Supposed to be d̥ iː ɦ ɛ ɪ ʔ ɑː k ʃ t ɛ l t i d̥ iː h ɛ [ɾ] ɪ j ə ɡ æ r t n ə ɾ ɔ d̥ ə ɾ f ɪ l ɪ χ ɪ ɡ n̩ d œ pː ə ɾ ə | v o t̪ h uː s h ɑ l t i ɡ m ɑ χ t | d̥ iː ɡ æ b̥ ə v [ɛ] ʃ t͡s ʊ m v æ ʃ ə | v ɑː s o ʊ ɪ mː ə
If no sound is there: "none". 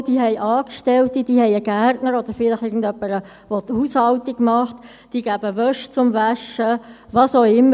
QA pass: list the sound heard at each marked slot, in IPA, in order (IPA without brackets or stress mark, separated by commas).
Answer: none, œ